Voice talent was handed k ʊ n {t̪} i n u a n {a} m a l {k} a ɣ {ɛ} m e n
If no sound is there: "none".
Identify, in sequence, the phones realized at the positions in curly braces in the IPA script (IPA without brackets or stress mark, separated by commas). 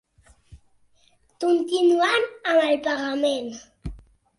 t̪, a, p, a